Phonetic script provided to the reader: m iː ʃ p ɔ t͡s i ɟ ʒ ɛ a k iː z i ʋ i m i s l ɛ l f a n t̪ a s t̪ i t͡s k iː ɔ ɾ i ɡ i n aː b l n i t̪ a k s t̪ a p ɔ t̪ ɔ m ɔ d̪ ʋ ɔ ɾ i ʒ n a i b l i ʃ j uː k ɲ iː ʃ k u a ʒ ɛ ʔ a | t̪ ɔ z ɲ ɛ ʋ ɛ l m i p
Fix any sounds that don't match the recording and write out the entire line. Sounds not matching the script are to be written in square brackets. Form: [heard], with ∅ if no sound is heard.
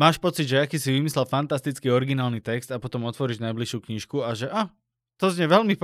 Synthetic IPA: m [aː] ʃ p ɔ t͡s i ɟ ʒ ɛ a k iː [s] i ʋ i m i s l ɛ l f a n t̪ a s t̪ i t͡s k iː ɔ ɾ i ɡ i n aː [∅] l n i t̪ [ɛ] k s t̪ a p ɔ t̪ ɔ m ɔ [t̪] ʋ ɔ ɾ i ʒ n a [j] b l i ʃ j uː k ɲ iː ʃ k u a ʒ ɛ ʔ a | t̪ ɔ z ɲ ɛ ʋ ɛ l m i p